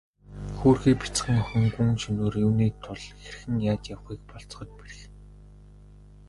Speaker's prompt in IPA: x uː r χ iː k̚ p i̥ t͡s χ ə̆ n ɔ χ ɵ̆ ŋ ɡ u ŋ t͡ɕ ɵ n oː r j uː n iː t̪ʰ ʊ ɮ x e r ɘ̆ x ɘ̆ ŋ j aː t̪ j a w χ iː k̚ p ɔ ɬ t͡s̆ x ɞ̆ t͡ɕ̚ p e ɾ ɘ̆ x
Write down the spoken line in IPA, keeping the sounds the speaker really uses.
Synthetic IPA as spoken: x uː r x iː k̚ p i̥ t͡s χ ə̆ ŋ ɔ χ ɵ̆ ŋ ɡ u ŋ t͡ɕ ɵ n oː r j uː n iː t̪ʰ ʊ ɮ x e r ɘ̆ x ɘ̆ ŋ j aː t̪ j a w χ iː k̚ p ɔ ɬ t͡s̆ χ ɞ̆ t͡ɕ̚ p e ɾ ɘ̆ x